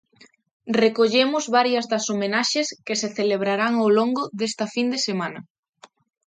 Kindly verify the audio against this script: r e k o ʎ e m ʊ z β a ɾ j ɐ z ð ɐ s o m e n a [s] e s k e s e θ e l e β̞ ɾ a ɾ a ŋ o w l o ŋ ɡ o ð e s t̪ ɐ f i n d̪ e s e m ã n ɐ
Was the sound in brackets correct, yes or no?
no